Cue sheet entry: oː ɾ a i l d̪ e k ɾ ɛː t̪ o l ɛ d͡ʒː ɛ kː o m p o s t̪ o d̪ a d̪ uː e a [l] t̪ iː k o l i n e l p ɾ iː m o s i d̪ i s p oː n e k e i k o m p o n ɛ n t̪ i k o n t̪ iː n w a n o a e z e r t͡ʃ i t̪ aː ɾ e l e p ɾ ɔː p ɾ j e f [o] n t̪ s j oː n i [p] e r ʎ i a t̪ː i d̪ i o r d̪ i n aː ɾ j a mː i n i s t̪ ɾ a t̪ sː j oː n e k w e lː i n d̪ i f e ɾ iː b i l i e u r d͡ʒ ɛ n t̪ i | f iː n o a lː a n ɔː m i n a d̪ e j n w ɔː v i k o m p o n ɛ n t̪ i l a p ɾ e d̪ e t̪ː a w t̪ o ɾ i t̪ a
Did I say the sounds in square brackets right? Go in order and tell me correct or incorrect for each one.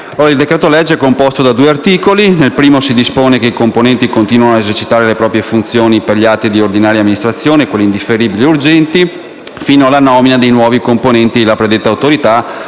incorrect: r, incorrect: u, correct

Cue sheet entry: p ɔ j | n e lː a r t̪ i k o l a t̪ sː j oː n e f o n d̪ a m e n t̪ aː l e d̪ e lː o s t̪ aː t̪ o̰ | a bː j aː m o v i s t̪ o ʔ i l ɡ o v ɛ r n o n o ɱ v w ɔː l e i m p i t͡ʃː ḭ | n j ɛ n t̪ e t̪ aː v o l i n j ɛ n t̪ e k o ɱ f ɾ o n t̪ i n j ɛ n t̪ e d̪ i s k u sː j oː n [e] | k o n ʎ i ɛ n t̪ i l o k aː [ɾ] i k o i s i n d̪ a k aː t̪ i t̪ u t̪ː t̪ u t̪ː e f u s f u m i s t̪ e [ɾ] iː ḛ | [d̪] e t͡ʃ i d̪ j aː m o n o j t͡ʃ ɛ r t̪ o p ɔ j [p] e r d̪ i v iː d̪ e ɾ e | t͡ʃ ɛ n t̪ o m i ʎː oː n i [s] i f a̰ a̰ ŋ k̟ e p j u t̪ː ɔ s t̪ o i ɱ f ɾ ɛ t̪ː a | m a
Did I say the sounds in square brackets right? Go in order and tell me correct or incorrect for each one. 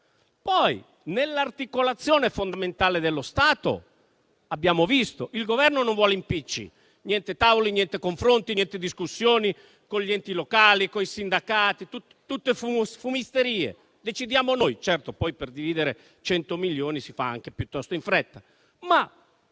incorrect: i, incorrect: l, correct, correct, correct, correct

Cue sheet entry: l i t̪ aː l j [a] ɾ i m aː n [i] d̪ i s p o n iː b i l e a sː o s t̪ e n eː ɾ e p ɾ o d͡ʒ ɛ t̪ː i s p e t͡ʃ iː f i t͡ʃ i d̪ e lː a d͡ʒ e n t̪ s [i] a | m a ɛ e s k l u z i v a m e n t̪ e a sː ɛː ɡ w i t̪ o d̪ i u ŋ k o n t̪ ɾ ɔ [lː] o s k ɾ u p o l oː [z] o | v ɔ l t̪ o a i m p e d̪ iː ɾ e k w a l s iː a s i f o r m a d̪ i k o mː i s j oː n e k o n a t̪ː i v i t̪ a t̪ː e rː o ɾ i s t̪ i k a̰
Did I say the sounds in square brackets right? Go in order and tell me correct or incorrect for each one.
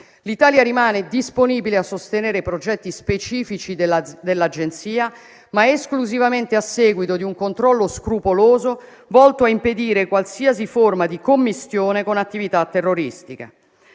correct, incorrect: e, incorrect: iː, correct, correct

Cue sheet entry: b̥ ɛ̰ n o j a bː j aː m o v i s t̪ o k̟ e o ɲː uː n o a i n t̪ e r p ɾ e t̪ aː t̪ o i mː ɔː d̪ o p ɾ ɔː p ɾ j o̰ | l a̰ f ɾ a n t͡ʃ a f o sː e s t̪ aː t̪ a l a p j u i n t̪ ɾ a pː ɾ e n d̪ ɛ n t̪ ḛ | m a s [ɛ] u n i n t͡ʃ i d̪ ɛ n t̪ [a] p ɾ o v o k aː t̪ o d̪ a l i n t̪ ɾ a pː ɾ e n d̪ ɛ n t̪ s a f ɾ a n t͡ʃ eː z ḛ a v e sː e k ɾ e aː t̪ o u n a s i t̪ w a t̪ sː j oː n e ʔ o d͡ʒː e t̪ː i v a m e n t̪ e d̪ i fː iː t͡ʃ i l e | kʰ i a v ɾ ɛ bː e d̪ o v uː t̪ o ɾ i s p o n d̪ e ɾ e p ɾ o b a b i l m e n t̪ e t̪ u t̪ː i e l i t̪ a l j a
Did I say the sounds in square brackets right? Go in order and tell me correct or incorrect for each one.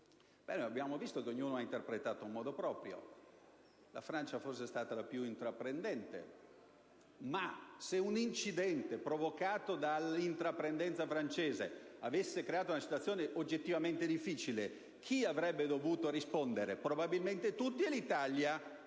incorrect: e, incorrect: e

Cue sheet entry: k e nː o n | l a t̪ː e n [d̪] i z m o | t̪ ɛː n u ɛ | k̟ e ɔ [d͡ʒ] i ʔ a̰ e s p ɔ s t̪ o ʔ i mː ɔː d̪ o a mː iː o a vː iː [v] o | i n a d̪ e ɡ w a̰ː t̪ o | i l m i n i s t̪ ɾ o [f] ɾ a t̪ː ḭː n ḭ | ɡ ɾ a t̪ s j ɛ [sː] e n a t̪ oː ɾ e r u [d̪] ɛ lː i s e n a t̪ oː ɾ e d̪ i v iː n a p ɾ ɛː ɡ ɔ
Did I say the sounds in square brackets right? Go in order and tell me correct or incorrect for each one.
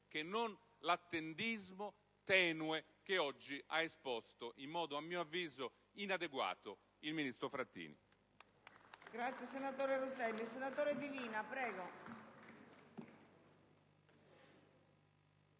correct, incorrect: d͡ʒː, incorrect: z, correct, incorrect: s, incorrect: t̪

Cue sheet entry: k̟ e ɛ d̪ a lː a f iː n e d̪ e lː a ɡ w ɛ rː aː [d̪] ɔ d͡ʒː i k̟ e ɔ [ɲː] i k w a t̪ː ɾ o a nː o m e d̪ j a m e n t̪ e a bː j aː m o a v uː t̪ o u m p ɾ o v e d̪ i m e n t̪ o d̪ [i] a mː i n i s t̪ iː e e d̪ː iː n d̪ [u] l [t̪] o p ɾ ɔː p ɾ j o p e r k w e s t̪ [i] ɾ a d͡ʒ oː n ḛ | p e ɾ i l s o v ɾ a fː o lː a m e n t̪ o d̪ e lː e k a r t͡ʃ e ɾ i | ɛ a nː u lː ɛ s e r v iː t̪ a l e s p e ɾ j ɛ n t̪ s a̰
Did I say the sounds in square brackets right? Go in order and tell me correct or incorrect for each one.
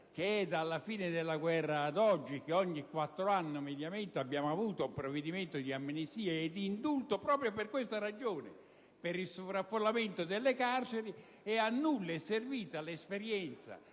correct, correct, correct, correct, correct, incorrect: a

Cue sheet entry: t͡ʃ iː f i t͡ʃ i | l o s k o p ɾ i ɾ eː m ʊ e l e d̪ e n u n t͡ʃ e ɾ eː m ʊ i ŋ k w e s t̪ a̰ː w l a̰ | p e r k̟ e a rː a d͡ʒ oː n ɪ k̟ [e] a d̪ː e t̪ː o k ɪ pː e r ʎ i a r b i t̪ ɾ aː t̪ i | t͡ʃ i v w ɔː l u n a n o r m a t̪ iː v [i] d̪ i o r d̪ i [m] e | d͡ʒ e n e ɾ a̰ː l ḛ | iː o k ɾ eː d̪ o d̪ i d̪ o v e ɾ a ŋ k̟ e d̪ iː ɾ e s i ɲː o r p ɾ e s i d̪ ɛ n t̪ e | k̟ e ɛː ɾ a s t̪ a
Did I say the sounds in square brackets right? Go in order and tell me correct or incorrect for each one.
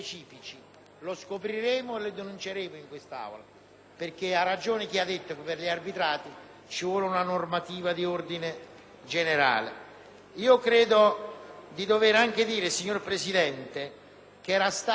incorrect: i, incorrect: a, incorrect: n

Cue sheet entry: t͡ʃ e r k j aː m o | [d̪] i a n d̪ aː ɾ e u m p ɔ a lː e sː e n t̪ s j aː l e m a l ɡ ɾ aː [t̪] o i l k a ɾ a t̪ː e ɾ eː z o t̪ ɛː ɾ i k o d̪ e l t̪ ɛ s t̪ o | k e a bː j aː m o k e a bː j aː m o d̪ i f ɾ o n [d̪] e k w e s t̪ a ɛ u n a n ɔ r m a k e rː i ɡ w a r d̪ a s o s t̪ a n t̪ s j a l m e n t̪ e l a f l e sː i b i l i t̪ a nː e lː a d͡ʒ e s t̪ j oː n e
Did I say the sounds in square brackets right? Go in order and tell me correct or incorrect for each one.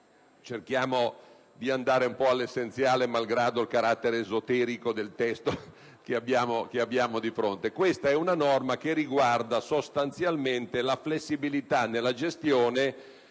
correct, incorrect: d̪, incorrect: t̪

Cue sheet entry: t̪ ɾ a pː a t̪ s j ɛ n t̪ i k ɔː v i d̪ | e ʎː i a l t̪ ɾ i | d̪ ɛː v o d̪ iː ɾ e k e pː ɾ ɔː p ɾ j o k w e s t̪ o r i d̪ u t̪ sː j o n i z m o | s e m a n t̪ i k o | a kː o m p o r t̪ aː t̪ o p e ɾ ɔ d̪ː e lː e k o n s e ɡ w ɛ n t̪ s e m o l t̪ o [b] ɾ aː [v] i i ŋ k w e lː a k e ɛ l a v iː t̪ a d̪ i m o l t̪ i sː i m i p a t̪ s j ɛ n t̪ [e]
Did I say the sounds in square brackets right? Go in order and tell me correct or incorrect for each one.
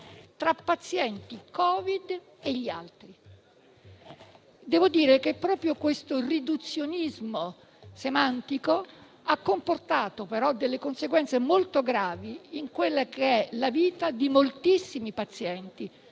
incorrect: ɡ, correct, incorrect: i

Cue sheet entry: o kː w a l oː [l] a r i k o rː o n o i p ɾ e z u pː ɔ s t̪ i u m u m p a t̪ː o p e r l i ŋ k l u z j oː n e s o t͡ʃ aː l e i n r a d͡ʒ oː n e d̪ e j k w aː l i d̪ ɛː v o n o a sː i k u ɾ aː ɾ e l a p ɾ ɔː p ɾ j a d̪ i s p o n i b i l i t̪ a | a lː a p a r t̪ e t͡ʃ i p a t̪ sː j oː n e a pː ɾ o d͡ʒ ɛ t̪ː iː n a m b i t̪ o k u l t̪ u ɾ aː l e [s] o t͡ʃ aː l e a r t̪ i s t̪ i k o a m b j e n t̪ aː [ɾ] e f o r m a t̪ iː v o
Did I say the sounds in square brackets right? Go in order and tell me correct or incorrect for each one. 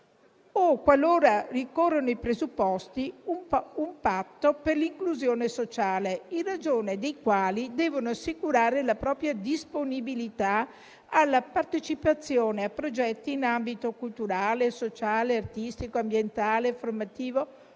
incorrect: ɾ, correct, incorrect: l

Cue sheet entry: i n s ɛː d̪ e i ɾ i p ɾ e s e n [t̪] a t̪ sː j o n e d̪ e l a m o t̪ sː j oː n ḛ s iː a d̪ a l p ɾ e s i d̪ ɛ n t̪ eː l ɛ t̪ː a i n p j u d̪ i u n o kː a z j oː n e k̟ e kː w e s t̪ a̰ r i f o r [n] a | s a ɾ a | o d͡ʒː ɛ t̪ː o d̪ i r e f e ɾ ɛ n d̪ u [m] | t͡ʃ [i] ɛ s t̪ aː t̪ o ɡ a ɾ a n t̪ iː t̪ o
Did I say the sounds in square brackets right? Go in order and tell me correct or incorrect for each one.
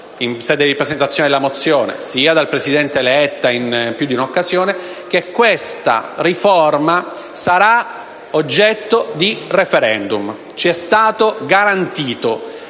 correct, incorrect: m, correct, correct

